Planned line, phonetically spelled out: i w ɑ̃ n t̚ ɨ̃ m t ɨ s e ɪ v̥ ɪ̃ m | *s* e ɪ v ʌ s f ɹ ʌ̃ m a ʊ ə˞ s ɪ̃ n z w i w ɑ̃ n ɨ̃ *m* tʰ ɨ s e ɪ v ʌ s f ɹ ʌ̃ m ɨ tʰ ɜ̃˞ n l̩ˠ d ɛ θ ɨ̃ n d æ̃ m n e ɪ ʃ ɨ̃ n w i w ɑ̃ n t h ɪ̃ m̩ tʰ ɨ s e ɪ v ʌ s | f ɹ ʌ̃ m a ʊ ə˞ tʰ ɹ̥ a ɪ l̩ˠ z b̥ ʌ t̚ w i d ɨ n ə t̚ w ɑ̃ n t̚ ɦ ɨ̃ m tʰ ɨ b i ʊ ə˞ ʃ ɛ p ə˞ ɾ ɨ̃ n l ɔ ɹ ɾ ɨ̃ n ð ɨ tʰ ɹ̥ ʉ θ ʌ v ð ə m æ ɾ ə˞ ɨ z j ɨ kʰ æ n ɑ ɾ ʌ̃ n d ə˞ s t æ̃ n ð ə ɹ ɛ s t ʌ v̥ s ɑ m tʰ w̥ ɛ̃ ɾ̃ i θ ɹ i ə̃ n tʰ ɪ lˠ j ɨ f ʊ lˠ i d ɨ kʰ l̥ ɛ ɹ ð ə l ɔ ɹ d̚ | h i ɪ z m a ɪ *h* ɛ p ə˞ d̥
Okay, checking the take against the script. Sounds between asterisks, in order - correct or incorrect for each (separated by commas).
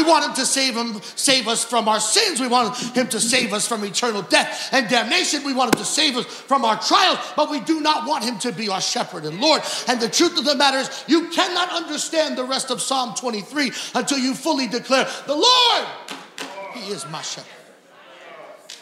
correct, correct, incorrect